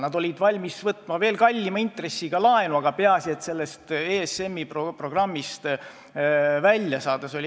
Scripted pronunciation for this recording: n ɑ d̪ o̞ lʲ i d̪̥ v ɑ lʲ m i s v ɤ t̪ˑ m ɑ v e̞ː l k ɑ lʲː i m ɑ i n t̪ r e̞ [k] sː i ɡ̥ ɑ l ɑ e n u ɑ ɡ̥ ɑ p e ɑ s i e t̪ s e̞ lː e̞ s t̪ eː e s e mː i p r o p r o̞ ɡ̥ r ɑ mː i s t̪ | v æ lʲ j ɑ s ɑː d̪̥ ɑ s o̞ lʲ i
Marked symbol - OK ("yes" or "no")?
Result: no